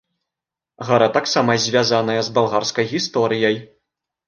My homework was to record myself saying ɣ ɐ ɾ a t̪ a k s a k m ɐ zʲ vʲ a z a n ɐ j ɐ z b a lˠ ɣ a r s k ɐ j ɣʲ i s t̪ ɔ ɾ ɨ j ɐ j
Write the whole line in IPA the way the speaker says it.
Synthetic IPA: ɣ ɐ ɾ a t̪ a k s a m ɐ zʲ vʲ a z a n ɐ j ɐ z b a lˠ ɣ a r s k ɐ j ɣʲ i s t̪ ɔ ɾ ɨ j ɐ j